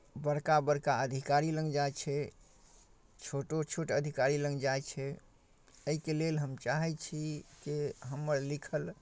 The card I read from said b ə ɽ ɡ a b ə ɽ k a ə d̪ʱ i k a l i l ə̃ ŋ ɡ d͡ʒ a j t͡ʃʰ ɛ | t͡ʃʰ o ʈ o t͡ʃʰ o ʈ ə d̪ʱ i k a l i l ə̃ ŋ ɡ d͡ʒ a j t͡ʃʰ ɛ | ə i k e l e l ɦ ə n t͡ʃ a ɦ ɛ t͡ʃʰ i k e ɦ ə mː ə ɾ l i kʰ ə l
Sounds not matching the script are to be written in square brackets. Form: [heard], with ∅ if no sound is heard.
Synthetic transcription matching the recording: b ə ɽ [k] a b ə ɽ k a ə d̪ʱ i k a [ɾ] i l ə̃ ŋ ɡ d͡ʒ a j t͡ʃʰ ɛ | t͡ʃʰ o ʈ o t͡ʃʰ o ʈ ə d̪ʱ i k a [ɾ] i l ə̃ ŋ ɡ d͡ʒ a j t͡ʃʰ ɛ | ə i k e l e l ɦ ə [m] t͡ʃ a ɦ ɛ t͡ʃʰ i k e ɦ ə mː ə ɾ l i kʰ ə l